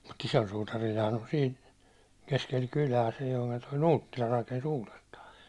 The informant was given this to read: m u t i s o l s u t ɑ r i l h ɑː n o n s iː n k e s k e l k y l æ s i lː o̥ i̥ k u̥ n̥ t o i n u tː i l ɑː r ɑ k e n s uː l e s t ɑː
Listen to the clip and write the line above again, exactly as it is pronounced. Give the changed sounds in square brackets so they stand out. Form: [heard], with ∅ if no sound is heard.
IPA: m u t i s o l s u t ɑ r i l h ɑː n o n s iː n k e s k e l k y l [æː] s i lː o̥ i̥ k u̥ n̥ t o i n [uː] tː i l [ɑ] r ɑ k e n s uː l e s t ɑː